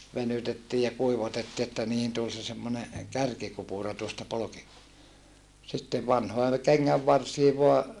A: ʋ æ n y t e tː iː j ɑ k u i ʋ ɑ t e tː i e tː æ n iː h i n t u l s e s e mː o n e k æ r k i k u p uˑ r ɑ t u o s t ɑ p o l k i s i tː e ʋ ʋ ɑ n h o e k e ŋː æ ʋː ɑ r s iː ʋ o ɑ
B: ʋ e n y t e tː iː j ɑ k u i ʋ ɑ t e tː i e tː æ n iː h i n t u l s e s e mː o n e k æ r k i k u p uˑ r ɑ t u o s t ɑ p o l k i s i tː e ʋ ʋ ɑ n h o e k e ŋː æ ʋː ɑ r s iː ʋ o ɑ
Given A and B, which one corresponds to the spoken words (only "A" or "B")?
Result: B